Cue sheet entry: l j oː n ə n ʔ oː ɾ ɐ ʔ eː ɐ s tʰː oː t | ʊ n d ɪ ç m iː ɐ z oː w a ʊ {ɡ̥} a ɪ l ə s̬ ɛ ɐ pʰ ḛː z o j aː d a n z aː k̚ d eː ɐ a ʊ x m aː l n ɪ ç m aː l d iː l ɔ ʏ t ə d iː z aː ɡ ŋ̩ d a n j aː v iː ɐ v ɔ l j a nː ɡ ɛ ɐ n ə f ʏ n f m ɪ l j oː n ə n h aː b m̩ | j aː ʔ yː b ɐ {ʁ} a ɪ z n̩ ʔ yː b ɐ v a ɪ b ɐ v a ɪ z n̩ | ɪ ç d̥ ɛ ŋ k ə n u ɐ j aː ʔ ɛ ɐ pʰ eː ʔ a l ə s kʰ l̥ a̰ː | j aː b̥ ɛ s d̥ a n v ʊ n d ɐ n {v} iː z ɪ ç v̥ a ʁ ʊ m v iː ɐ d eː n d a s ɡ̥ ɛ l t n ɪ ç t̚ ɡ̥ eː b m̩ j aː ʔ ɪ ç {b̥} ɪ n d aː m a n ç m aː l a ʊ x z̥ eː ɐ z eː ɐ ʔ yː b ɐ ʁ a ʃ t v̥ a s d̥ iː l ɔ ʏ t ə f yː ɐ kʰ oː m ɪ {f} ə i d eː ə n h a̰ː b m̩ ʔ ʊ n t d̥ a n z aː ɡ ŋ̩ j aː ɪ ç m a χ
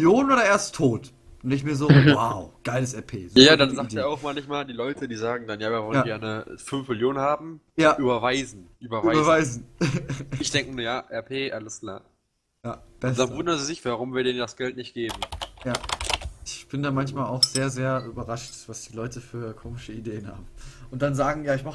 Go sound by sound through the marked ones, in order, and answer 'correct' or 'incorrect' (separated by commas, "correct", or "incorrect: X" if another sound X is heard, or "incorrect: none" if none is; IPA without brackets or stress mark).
correct, incorrect: v, incorrect: z, correct, incorrect: ʃ